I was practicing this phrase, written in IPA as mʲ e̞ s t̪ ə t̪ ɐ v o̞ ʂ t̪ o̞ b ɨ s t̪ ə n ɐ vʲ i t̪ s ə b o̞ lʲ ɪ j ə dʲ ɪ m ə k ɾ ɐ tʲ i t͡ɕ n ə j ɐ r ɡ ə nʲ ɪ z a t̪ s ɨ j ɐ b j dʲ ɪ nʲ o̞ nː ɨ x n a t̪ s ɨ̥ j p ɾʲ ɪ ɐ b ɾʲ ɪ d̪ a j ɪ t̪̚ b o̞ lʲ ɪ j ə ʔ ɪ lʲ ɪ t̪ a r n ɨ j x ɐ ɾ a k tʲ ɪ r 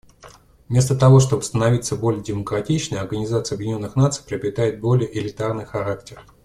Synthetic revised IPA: mʲ e̞ s t̪ ə t̪ ɐ v o̞ ʂ t̪ o̞ b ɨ s t̪ ə n ɐ vʲ i t̪ s ə b o̞ lʲ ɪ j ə dʲ ɪ m ə k ɾ ɐ tʲ i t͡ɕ n ə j ɐ r ɡ ə nʲ ɪ z a t̪ s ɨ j ɐ b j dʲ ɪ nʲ o̞ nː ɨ x n a t̪ s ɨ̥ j p ɾʲ ɪ ɐ b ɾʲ ɪ t̪ a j ɪ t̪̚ b o̞ lʲ ɪ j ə ʔ ɪ lʲ ɪ t̪ a r n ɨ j x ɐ ɾ a k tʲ ɪ r